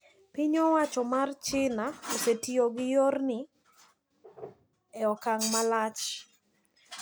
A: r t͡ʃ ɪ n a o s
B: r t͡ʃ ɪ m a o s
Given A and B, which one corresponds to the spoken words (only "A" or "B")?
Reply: A